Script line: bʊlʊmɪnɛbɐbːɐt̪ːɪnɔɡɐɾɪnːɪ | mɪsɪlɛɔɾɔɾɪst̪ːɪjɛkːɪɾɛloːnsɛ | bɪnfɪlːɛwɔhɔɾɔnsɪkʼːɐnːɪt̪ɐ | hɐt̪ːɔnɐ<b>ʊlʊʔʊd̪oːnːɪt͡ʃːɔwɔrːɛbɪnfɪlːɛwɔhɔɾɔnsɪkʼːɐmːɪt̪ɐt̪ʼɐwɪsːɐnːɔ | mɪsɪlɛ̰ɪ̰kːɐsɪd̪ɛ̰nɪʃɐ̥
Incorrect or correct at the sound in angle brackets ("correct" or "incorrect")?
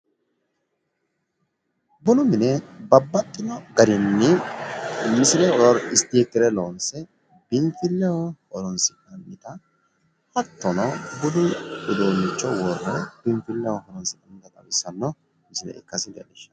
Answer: correct